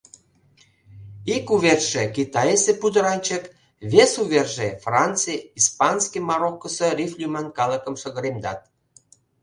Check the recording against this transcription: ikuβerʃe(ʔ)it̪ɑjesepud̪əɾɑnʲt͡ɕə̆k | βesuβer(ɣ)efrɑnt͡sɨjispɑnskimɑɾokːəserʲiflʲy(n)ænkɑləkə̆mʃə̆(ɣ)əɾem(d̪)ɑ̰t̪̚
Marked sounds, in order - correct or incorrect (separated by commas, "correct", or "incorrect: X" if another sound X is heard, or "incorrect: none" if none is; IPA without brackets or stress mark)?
incorrect: k, incorrect: ʒ, incorrect: m, correct, correct